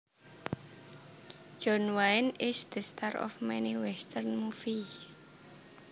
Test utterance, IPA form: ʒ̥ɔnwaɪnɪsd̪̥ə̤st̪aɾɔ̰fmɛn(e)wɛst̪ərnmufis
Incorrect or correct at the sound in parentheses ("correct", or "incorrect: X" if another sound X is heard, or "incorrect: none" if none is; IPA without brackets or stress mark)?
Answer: incorrect: i